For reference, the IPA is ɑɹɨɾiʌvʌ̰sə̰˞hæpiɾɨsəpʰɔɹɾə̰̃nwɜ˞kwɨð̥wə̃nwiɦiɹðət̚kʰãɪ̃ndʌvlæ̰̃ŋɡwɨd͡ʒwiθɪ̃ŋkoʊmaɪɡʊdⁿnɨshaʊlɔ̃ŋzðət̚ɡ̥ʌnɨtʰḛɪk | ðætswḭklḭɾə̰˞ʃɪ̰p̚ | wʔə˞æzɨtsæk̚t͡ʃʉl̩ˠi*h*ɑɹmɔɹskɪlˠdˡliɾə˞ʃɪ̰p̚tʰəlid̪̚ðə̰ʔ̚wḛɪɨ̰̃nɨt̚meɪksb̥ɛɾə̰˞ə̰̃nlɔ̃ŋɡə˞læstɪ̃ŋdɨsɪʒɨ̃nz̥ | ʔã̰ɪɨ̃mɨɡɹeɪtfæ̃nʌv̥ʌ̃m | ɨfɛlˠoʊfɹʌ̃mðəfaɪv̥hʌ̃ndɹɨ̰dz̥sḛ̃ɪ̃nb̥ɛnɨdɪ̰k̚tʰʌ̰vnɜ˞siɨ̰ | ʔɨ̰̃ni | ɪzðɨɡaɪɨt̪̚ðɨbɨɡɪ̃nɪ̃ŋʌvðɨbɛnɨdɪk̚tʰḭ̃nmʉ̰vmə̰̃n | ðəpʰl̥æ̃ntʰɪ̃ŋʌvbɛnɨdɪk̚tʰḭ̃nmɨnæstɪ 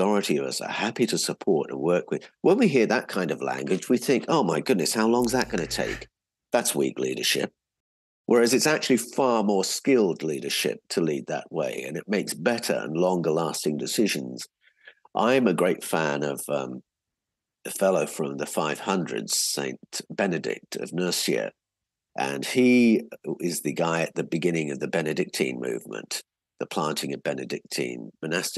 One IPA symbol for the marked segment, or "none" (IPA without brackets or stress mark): f